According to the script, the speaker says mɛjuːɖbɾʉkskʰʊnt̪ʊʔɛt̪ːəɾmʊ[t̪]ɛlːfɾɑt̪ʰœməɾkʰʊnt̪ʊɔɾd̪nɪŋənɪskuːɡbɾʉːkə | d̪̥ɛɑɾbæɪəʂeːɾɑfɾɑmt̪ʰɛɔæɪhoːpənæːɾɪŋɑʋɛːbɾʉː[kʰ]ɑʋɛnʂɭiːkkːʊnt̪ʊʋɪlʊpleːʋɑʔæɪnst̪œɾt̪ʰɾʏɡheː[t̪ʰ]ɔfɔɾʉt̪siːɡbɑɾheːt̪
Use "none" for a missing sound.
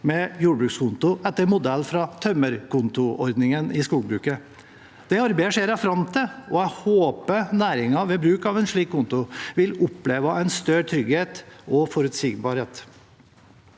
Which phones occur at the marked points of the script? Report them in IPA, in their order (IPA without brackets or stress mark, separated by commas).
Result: d̪, k, t̪